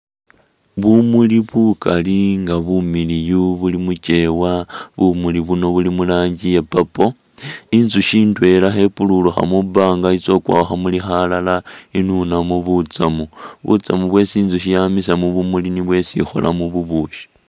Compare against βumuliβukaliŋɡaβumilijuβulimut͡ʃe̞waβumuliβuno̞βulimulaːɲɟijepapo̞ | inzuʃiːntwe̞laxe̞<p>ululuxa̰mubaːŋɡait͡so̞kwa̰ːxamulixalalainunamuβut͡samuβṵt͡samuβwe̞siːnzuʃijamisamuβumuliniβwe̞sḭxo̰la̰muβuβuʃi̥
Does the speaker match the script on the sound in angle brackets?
yes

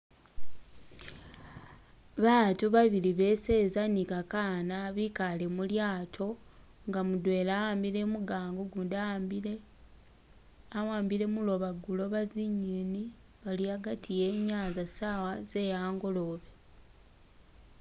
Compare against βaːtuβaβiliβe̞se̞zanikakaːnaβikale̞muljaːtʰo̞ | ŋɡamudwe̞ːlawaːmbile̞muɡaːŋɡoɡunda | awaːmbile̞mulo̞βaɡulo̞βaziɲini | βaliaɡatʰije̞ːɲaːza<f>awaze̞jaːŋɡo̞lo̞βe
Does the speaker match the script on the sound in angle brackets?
no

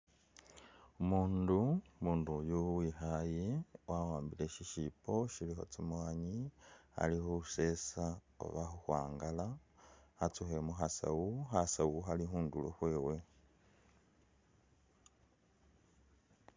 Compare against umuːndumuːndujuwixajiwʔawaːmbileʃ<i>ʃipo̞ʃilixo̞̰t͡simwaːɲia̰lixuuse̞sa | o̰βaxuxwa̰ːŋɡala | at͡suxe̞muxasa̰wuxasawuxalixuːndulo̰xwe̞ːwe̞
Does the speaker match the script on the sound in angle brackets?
yes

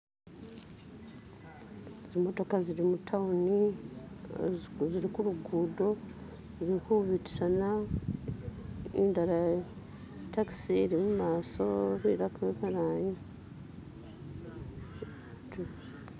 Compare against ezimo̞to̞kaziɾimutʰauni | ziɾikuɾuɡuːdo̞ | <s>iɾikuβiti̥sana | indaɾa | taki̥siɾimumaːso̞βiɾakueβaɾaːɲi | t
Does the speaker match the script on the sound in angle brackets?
no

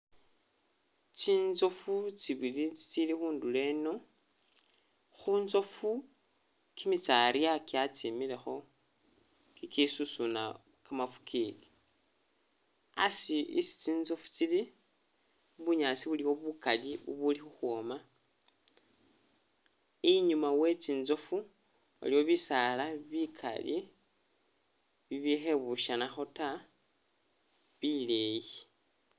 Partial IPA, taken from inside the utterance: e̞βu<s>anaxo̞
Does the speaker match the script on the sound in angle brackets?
no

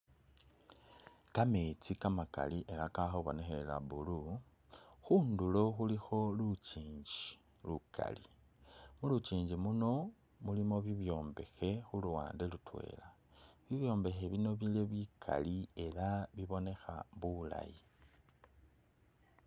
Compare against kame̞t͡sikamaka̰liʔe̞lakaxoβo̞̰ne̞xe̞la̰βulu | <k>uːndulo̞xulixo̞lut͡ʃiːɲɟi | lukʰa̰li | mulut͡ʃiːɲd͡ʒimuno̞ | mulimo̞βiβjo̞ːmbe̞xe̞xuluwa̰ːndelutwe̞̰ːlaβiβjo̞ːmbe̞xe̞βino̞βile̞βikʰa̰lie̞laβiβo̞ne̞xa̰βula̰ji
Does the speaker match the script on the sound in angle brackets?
no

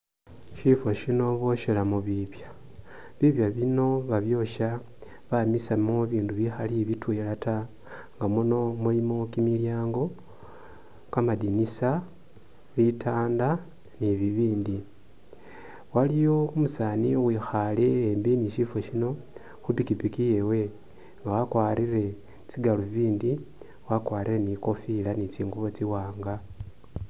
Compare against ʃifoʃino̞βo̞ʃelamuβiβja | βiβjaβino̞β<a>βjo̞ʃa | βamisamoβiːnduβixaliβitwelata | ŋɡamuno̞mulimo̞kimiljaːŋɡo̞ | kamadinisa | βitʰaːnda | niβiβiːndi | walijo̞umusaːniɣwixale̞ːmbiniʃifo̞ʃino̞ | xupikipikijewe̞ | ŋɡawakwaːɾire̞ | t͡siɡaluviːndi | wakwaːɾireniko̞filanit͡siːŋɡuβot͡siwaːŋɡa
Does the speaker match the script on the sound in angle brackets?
yes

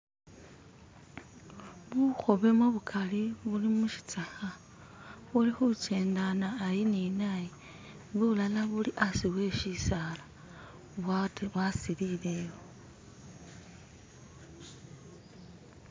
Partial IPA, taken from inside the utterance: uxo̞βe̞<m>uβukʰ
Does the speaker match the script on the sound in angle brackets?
yes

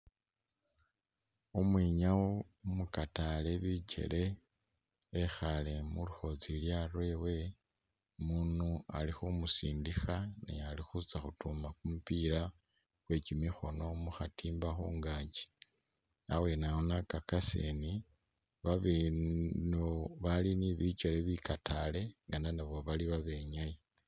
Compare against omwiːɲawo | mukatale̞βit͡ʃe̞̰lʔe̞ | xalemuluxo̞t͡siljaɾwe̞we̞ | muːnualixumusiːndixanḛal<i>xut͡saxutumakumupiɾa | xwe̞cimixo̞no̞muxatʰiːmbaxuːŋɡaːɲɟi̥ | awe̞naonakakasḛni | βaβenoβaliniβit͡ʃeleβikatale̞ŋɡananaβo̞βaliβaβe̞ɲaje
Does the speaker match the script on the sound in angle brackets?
yes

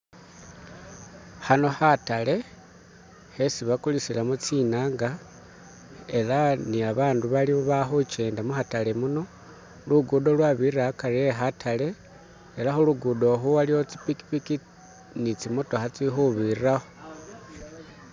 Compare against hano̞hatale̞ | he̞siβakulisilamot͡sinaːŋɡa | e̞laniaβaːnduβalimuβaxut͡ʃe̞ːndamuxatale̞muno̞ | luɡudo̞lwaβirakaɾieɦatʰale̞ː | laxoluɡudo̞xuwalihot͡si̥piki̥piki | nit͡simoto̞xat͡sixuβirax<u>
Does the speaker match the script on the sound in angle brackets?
no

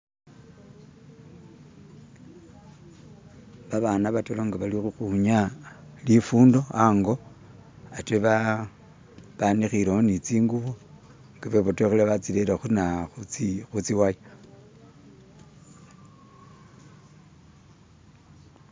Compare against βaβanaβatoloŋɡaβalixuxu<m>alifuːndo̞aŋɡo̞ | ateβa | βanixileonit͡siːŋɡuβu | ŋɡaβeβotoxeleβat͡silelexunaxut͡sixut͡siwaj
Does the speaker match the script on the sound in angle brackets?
no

